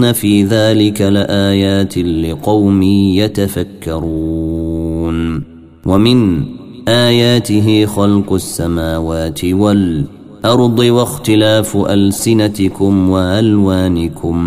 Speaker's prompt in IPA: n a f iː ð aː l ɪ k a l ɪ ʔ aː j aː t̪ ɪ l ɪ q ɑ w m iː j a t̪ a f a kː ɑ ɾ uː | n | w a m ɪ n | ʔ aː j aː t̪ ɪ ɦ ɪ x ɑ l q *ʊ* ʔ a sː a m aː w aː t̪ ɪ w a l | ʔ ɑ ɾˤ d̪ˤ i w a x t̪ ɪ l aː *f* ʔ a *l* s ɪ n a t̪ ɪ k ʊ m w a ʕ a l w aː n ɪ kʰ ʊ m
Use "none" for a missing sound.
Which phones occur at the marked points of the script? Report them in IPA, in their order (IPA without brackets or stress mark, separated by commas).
ʊ, f, l